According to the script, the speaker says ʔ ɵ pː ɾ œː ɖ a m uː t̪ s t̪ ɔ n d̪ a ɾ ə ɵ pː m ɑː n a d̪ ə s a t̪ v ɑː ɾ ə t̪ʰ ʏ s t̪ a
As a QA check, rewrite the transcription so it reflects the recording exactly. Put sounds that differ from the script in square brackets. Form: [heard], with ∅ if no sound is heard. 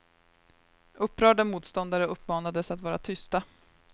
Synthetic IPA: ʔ ɵ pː ɾ œː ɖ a m uː t̪ s t̪ ɔ n d̪ a ɾ ə ɵ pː m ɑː n a d̪ ə s a t̪ v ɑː ɾ [a] t̪ʰ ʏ s t̪ a

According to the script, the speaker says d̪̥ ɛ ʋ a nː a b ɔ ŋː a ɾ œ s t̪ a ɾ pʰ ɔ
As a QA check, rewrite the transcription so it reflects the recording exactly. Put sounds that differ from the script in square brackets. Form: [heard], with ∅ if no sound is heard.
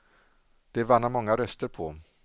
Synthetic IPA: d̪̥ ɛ [v] a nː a [m] ɔ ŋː a ɾ œ s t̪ [ə] ɾ pʰ ɔ

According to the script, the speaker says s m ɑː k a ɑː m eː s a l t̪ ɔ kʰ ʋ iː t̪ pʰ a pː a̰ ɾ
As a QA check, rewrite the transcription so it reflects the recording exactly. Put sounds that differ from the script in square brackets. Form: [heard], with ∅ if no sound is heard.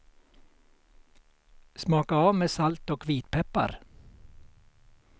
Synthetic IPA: s m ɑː k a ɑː m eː s a l t̪ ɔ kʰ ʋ iː t̪ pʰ [ɛ] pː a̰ ɾ

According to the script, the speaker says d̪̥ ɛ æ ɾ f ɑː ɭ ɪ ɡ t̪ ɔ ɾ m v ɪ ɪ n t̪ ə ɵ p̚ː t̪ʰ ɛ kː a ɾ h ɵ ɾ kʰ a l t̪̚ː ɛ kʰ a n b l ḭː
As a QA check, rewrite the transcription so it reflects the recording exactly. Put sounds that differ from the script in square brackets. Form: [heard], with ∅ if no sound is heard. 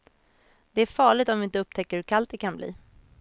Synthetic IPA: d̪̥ ɛ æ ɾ f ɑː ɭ ɪ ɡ t̪ ɔ [∅] m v ɪ ɪ n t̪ ə ɵ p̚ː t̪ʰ ɛ kː [ə] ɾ h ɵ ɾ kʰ a l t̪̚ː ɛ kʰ a n b l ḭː

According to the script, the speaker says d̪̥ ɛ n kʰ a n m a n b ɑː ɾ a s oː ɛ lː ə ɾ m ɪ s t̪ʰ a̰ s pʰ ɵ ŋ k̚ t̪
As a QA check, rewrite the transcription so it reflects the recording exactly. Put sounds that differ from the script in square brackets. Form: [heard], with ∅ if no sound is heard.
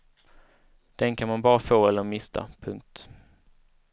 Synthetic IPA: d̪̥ ɛ n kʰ a n m a n b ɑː ɾ a [f] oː ɛ lː ə ɾ m ɪ s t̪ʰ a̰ [∅] pʰ ɵ ŋ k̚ t̪

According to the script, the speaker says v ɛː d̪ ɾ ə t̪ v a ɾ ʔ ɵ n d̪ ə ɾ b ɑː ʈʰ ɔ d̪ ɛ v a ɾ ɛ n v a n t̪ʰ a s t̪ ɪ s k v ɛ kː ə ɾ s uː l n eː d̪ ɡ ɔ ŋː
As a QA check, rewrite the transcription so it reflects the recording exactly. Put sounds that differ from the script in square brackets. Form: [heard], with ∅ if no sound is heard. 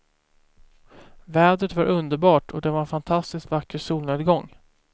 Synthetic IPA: v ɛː d̪ ɾ ə t̪ v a ɾ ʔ ɵ n d̪ ə ɾ b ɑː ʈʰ ɔ d̪ ɛ v a ɾ ɛ n [f] a n t̪ʰ a s t̪ ɪ s k v [a] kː ə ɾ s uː l n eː d̪ ɡ ɔ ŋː

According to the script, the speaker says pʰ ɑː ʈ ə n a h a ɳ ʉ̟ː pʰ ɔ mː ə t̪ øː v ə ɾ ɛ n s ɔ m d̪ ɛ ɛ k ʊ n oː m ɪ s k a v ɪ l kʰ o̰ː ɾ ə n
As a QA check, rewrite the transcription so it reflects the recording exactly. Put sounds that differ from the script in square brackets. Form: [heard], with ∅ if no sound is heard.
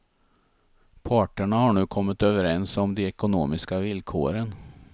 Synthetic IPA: pʰ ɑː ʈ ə [ɳ] a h a ɳ ʉ̟ː [kʰ] ɔ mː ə t̪ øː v ə ɾ ɛ n s ɔ m d̪ ɛ ɛ k ʊ n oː m ɪ s k a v ɪ l kʰ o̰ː ɾ ə n

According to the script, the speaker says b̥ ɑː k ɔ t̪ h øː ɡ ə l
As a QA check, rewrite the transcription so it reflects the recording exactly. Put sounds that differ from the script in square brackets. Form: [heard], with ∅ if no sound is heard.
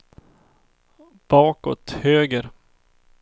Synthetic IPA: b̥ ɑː k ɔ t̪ h øː ɡ ə [ɾ]

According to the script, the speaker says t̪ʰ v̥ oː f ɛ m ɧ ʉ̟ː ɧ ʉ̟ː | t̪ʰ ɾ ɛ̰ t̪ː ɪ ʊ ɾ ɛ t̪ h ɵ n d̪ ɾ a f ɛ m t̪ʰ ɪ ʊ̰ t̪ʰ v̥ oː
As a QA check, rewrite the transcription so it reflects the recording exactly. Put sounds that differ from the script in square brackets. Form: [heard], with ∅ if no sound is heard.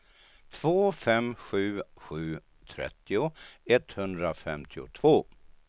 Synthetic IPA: t̪ʰ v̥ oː f ɛ m ɧ ʉ̟ː ɧ ʉ̟ː | t̪ʰ ɾ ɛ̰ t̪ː ɪ ʊ [∅] ɛ t̪ h ɵ n d̪ ɾ a f ɛ m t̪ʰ ɪ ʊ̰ t̪ʰ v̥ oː

